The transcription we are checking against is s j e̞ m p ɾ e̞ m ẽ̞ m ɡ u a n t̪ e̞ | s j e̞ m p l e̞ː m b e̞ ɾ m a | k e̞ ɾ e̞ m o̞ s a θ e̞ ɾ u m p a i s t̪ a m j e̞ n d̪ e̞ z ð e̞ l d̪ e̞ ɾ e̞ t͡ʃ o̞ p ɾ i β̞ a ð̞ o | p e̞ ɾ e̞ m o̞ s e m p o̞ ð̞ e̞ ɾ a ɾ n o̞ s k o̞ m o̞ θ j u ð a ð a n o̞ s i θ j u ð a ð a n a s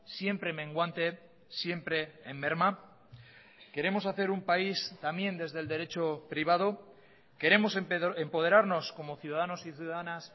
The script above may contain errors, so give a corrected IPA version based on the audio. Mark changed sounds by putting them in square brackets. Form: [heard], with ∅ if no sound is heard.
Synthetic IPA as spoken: s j e̞ m p ɾ e̞ m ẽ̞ [ŋ] ɡ [w] a n t̪ e̞ | s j e̞ m p [ɾ] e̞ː m b e̞ ɾ m a | k e̞ ɾ e̞ m o̞ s a θ e̞ ɾ u m p a i s t̪ a m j e̞ n d̪ e̞ z ð e̞ l d̪ e̞ ɾ e̞ t͡ʃ o̞ p ɾ i β̞ a ð̞ o | [k] e̞ ɾ e̞ m o̞ s e m p o̞ ð̞ e̞ ɾ a ɾ n o̞ s k o̞ m o̞ θ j u ð a ð a n o̞ s i θ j u ð a ð a n a s